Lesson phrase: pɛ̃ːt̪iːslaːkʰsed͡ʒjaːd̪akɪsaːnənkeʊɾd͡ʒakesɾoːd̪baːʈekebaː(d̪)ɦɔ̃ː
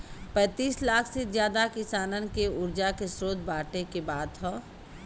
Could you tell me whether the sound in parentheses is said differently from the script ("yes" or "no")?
no